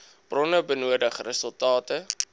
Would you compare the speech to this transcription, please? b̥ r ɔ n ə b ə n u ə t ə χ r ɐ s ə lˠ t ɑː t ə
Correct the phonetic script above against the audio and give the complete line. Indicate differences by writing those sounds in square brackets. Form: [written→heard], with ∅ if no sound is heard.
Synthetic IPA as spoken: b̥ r ɔ n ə b ə n u ə [t→d] ə χ r [ɐ→ə] s ə lˠ t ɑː t ə